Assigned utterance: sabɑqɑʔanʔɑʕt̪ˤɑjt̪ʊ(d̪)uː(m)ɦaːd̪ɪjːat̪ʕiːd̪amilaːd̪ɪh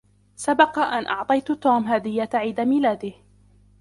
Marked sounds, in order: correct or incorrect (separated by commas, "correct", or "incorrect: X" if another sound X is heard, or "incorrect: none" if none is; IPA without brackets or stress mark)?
incorrect: t̪, correct